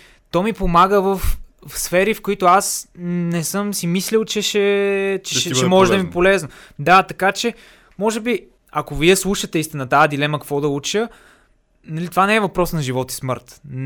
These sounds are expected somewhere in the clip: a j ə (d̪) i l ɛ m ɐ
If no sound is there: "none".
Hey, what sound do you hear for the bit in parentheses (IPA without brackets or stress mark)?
d̪